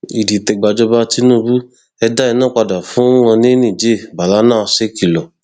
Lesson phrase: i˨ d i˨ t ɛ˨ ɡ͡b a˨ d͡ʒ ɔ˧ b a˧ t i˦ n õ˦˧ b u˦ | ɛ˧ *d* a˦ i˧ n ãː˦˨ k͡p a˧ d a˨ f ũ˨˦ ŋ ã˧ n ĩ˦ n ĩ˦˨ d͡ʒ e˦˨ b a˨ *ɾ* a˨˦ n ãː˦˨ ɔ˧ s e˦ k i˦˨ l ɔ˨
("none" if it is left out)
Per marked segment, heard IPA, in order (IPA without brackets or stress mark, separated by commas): d, l